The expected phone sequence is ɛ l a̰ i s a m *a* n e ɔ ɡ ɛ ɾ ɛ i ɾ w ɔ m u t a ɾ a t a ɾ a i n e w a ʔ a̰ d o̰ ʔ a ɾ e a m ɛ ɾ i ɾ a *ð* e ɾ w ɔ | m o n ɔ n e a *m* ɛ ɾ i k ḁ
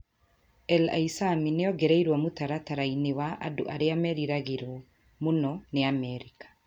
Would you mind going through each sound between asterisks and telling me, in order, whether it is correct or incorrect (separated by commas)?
incorrect, incorrect, correct